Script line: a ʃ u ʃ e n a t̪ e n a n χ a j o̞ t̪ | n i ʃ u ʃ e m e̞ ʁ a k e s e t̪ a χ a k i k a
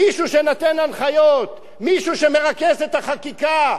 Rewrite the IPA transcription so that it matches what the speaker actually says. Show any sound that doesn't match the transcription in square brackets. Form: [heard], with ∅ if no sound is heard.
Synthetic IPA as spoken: [i] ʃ u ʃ e n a t̪ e n a n χ a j o̞ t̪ | [m] i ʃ u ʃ e m e̞ ʁ a k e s e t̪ a χ a k i k a